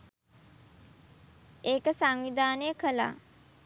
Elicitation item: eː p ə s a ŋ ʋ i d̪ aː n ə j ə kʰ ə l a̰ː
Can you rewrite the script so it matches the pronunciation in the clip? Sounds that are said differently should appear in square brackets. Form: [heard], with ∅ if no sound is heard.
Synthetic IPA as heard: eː [k] ə s a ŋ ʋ i d̪ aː n ə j ə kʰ ə l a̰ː